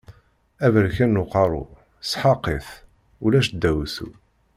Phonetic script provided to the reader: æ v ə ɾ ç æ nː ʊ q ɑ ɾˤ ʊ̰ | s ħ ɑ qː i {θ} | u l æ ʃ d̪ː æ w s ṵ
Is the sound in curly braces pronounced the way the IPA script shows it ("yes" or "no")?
yes